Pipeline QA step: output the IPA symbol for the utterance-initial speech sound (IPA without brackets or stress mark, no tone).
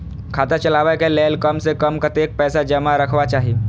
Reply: kʰ